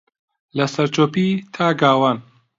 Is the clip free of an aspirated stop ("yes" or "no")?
no